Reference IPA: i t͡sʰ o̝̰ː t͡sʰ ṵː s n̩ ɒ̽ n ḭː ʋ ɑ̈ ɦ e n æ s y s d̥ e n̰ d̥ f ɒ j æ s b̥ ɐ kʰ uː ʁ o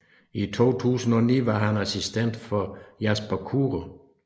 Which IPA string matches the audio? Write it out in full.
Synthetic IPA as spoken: i t͡sʰ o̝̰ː t͡sʰ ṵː s n̩ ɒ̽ n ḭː ʋ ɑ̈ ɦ æ n æ s i s d̥ e n̰ d̥ f ɒ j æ s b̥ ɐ kʰ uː ʁ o